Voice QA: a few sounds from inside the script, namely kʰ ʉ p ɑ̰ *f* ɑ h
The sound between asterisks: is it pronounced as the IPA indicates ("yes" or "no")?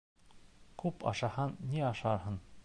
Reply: no